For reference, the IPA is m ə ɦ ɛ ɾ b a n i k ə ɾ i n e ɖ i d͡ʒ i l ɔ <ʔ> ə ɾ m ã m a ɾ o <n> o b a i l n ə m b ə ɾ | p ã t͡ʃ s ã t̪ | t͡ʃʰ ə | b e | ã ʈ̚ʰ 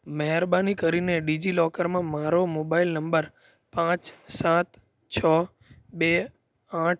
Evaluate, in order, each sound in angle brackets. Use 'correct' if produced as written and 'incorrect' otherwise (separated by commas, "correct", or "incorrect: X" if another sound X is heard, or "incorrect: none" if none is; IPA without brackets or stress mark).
incorrect: k, incorrect: m